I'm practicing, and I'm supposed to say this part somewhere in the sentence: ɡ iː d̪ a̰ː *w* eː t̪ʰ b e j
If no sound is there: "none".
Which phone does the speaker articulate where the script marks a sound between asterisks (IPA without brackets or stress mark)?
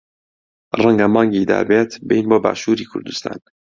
b